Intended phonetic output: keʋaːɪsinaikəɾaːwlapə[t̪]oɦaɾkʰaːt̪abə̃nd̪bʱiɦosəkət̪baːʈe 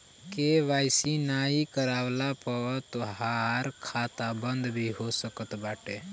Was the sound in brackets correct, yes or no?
yes